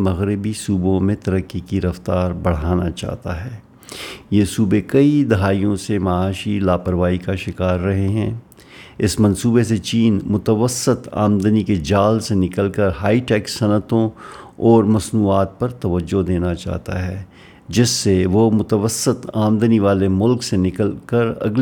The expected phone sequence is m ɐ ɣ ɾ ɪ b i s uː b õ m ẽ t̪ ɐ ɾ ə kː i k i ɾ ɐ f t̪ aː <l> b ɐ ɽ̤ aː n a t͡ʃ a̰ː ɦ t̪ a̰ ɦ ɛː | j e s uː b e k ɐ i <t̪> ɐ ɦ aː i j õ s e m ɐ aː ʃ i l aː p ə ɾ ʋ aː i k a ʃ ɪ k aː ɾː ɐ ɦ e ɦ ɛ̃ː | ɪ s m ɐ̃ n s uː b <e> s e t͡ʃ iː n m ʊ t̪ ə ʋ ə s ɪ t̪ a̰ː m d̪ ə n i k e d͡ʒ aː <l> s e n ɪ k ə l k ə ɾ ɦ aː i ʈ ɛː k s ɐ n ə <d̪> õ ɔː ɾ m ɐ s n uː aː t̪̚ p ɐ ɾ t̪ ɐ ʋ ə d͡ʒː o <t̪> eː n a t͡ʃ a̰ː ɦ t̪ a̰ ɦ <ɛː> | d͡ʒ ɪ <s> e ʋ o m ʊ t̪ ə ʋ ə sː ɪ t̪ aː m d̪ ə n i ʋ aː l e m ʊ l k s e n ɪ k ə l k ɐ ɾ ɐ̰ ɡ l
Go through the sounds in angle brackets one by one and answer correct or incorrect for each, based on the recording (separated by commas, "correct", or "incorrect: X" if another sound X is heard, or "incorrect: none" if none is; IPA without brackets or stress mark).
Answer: incorrect: ɾ, incorrect: d̪, correct, correct, incorrect: t̪, incorrect: d̪, correct, incorrect: sː